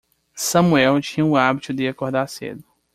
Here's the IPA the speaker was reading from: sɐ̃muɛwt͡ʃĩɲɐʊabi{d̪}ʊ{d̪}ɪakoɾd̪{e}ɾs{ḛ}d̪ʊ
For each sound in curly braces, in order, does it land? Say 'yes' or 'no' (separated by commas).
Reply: no, yes, no, yes